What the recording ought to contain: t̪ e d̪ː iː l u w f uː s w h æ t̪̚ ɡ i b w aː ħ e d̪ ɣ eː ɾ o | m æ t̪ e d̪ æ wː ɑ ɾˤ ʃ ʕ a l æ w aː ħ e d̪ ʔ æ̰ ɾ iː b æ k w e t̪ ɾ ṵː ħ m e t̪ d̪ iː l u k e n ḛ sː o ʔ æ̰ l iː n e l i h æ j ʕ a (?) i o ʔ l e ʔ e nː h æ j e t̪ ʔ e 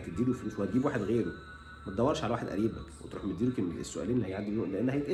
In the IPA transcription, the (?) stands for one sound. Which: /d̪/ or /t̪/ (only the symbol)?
d̪